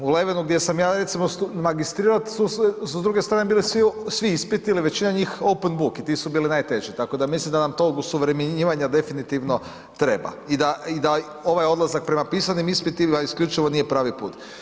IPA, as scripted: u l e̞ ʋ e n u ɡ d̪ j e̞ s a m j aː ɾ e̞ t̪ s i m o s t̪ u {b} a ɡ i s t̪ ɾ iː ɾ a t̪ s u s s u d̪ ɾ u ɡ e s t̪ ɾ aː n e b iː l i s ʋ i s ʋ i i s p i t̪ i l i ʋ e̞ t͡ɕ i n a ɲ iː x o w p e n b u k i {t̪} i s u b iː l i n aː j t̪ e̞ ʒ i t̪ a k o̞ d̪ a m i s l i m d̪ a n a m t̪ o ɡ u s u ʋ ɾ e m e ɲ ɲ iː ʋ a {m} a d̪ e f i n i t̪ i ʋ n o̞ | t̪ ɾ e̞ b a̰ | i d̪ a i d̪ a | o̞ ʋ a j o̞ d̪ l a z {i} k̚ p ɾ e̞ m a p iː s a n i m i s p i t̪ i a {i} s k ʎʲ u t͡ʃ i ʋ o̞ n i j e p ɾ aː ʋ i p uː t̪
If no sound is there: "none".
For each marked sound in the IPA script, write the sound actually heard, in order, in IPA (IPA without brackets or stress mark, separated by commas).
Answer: m, t̪, ɲ, a, i